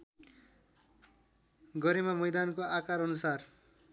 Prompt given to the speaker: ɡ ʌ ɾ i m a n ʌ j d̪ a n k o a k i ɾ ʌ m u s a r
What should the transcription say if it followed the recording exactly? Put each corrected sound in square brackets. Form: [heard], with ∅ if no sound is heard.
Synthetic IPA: ɡ ʌ ɾ [e] m a [m] ʌ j d̪ a n k o a k [a] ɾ ʌ [n] u s a r